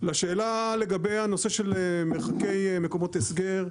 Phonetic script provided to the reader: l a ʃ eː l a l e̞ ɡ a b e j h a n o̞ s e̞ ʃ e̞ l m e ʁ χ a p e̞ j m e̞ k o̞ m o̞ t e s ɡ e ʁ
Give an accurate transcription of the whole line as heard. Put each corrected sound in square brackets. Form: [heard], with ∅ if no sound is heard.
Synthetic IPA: l a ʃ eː l a l e̞ ɡ a b e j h a n o̞ s e̞ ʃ e̞ l m e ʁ χ a [k] e̞ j m e̞ k o̞ m o̞ t e s ɡ e ʁ